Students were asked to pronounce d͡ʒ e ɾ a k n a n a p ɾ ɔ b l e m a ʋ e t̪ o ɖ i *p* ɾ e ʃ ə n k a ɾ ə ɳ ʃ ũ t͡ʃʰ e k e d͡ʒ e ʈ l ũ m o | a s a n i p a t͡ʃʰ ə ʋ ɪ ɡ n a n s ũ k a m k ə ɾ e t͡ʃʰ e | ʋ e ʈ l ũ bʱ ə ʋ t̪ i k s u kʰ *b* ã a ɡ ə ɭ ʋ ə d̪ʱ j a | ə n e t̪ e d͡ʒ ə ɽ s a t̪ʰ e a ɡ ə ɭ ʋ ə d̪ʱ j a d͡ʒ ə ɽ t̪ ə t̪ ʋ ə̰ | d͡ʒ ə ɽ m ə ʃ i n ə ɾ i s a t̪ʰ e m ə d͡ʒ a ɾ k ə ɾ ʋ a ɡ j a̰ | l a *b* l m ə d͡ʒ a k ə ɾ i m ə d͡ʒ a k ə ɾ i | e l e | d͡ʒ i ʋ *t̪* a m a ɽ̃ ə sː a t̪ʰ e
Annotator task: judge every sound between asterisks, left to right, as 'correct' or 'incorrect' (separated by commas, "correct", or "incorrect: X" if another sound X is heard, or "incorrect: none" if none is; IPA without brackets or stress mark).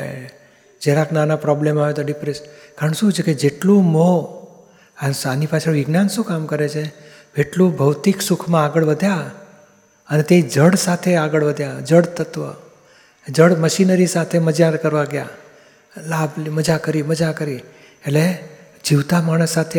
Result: correct, incorrect: m, correct, correct